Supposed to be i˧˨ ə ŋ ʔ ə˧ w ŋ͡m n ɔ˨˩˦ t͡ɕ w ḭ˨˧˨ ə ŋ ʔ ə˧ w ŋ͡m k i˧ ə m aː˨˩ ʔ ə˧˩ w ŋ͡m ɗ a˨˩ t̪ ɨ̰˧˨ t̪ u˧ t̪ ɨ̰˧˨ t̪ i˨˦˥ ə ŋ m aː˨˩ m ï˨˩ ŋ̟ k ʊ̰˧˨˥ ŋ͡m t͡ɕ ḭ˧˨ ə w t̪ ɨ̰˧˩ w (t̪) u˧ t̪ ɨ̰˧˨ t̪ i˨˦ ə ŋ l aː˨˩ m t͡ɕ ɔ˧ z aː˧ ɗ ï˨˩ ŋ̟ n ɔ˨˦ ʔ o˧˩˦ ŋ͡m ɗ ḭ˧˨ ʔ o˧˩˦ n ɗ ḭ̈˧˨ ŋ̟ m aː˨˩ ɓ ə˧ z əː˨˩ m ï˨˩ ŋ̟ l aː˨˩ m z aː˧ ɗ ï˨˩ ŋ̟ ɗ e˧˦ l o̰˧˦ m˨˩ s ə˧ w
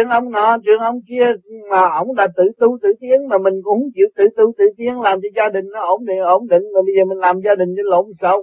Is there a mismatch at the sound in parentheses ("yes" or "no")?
no